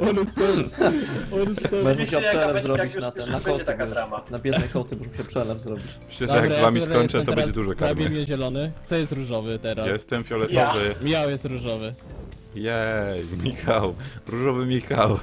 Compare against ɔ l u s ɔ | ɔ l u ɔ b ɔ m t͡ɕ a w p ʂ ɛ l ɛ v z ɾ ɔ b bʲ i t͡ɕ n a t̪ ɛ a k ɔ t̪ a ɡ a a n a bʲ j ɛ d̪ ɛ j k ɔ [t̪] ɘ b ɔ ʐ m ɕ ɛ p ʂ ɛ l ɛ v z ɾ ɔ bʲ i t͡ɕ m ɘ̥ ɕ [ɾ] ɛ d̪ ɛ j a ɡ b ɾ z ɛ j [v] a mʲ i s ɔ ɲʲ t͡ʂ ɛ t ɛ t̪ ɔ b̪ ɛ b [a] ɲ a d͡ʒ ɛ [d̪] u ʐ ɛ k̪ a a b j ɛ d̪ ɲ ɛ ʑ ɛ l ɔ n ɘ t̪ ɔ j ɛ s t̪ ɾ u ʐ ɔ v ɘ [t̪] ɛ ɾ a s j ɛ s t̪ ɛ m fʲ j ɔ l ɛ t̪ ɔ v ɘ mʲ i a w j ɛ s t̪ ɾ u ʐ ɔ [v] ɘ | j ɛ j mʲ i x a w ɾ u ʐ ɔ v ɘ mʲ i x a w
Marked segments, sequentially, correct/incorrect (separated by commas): correct, incorrect, correct, incorrect, correct, correct, correct